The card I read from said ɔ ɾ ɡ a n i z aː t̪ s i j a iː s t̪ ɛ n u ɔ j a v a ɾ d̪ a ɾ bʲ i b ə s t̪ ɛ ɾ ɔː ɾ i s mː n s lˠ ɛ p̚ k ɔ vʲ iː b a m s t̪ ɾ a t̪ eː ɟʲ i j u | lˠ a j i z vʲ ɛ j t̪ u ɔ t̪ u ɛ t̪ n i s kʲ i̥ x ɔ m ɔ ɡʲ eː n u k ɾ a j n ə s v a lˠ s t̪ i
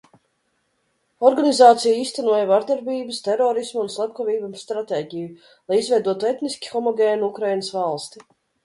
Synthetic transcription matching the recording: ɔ ɾ ɡ a n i z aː t̪ s i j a iː s t̪ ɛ n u ɔ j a v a ɾ d̪ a ɾ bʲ iː b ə s t̪ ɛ ɾ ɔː ɾ i s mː n s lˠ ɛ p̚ k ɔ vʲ iː b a m s t̪ ɾ a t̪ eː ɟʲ i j u | lˠ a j i z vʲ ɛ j d̪ u ɔ t̪ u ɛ t̪ n i s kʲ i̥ x ɔ m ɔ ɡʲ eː n u k ɾ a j n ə s v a lˠ s t̪ i